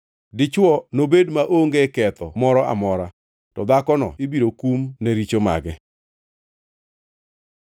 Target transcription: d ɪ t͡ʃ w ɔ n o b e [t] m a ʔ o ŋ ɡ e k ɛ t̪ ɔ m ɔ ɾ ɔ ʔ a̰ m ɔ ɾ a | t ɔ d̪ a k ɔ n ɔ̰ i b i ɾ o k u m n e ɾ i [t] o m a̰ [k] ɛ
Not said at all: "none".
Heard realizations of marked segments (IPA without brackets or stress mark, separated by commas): d, t͡ʃ, ɡ